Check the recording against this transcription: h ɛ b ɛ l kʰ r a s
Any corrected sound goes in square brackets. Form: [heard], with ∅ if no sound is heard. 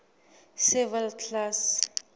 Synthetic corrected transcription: [s] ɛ [v] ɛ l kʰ [l] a s